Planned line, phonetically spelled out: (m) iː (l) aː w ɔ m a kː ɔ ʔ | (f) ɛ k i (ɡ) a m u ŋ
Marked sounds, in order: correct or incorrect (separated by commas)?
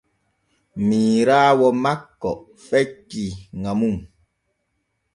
correct, incorrect, correct, incorrect